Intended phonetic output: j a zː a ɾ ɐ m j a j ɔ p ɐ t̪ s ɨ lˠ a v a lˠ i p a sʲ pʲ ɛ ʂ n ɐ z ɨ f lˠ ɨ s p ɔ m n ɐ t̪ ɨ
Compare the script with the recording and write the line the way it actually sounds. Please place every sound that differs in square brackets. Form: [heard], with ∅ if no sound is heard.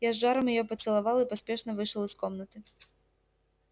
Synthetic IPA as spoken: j a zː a ɾ ɐ m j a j ɔ p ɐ t̪ s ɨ lˠ a v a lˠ i p a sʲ pʲ ɛ ʂ n ɐ [v] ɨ [ʂ] lˠ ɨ s [k] ɔ m n ɐ t̪ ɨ